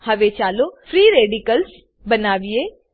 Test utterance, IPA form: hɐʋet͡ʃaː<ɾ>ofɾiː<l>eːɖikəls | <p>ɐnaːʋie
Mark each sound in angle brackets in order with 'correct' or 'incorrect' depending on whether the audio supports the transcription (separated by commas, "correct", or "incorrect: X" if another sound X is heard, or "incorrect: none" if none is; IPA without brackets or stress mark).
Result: incorrect: l, incorrect: ɾ, incorrect: b